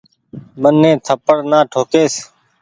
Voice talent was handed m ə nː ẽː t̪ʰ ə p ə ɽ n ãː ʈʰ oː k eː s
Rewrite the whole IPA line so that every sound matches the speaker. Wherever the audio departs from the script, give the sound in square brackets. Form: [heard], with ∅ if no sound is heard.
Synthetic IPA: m ə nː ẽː t̪ʰ ə p ə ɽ n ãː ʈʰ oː k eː s